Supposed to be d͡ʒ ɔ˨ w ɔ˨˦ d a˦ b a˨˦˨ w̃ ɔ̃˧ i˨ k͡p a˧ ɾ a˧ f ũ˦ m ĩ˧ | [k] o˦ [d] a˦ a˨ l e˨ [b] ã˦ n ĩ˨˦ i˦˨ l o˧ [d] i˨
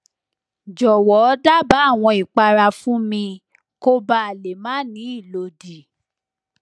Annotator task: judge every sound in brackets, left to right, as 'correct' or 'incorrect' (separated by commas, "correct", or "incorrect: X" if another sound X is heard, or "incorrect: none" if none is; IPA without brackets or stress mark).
correct, incorrect: b, incorrect: m, correct